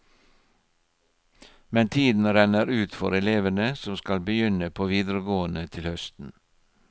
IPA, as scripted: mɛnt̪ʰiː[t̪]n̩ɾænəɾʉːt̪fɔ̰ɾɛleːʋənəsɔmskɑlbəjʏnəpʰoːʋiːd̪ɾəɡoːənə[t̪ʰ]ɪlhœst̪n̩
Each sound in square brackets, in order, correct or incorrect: incorrect: d̪, correct

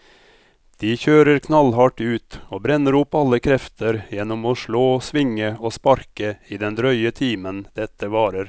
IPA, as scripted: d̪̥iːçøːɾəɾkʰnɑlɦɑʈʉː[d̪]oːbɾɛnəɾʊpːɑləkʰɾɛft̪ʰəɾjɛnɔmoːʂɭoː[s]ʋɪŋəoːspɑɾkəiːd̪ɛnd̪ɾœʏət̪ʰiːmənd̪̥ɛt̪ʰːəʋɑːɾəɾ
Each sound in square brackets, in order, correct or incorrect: incorrect: t̪, correct

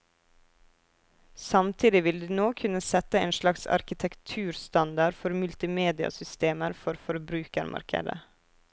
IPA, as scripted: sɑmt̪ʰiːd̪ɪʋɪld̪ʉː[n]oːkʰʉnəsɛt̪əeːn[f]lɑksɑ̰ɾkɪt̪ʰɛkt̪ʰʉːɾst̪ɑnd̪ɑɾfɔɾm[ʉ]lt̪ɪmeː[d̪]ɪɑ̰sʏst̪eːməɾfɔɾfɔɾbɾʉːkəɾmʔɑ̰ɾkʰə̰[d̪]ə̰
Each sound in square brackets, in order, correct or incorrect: correct, incorrect: ʃ, correct, correct, correct

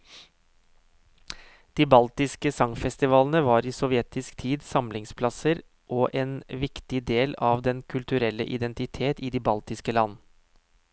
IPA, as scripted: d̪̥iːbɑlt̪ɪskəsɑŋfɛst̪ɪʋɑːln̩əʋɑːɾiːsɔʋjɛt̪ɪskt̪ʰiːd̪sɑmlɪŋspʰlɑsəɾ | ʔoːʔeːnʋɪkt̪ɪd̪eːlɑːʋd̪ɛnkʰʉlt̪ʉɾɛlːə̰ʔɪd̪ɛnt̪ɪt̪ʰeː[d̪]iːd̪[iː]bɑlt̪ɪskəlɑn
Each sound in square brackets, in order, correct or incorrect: incorrect: t̪, correct

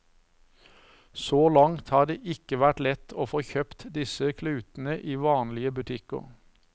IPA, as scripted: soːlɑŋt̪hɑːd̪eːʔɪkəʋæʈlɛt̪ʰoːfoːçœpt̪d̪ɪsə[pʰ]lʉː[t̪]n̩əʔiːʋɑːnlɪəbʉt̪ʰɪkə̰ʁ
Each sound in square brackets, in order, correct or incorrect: incorrect: kʰ, correct

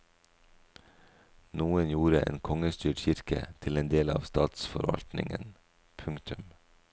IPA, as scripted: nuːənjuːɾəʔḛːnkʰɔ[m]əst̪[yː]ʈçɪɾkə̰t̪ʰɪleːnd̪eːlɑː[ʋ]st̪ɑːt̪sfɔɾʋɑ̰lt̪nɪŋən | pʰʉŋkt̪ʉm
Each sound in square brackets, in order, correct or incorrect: incorrect: ŋ, correct, correct

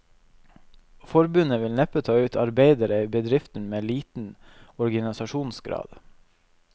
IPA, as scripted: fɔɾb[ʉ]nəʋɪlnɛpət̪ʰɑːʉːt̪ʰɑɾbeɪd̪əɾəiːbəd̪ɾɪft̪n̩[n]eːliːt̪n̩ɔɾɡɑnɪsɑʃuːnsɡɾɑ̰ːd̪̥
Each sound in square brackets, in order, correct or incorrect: correct, incorrect: m

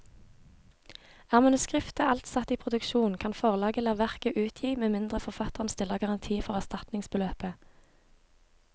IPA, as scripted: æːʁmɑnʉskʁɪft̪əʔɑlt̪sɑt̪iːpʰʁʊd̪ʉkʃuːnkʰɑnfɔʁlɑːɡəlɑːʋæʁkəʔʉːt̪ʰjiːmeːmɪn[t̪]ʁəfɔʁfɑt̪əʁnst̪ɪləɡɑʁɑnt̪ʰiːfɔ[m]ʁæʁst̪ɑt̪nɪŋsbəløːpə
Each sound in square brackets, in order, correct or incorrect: incorrect: d̪, incorrect: none

